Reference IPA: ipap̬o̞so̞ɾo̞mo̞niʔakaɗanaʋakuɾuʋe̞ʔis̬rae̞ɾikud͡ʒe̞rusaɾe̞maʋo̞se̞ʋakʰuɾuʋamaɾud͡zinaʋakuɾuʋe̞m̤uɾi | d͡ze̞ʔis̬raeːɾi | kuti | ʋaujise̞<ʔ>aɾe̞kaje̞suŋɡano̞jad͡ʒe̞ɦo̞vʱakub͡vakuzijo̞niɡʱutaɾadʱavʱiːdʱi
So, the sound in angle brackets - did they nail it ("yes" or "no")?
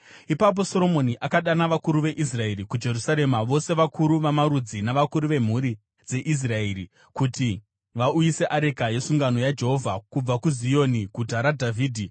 yes